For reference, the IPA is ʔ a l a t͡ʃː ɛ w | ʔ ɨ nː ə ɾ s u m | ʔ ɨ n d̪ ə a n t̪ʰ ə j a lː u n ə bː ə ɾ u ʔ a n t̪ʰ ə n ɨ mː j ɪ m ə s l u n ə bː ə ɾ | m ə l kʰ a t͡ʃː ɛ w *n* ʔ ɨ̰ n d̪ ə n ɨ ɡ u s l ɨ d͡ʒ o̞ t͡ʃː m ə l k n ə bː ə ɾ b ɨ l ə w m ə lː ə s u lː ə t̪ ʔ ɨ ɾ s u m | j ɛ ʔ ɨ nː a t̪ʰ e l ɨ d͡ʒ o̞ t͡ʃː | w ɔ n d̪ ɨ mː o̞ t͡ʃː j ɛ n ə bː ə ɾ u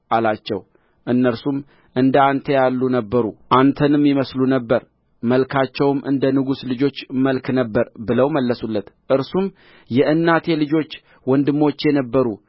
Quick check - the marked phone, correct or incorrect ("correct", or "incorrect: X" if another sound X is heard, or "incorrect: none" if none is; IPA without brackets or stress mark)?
incorrect: m